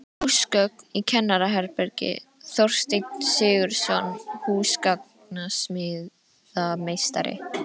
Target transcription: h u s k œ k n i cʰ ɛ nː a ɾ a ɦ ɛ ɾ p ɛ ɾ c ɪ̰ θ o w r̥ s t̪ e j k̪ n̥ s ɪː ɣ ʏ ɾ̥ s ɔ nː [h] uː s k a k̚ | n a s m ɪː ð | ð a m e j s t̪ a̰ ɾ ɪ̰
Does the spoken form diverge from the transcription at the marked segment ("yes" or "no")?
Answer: no